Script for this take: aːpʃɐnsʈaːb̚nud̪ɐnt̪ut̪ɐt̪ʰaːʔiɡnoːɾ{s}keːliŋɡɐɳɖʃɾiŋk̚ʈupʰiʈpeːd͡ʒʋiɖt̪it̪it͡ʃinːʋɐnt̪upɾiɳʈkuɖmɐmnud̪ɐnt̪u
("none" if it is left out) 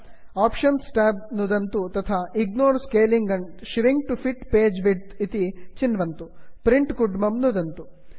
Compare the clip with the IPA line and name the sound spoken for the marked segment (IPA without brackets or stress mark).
s